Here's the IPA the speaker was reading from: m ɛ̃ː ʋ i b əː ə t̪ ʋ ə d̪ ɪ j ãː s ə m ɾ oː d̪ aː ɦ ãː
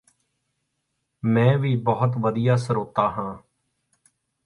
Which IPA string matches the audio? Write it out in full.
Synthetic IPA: m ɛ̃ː ʋ iː b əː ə t̪ ʋ ə d̪ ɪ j aː s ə ɾ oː t̪ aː ɦ ãː